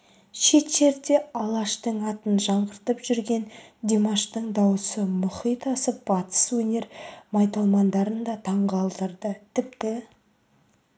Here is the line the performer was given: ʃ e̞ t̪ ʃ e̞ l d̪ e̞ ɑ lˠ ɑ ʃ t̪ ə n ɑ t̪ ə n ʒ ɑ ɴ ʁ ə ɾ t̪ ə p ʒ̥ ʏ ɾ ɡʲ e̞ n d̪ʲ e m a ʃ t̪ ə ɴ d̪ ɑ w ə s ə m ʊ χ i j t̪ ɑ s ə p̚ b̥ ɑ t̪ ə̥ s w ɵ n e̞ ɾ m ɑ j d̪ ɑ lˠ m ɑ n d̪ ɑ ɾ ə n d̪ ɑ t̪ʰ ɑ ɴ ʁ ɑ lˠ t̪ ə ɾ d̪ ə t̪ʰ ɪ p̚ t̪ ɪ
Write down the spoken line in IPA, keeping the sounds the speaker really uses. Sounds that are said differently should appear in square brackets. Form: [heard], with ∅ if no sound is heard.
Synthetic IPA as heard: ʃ e̞ t̪ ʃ e̞ [ɾ] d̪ e̞ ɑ lˠ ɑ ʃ t̪ ə [ɴ] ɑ t̪ ə n ʒ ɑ ɴ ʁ ə ɾ t̪ ə p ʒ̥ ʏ ɾ ɡʲ e̞ n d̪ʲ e m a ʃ t̪ ə ɴ d̪ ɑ w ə s ə m ʊ χ i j t̪ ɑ s ə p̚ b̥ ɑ t̪ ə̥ s w ɵ n e̞ ɾ m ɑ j [t̪] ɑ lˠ m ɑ n d̪ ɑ ɾ ə n d̪ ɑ t̪ʰ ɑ ɴ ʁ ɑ lˠ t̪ ə ɾ d̪ ə t̪ʰ ɪ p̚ t̪ ɪ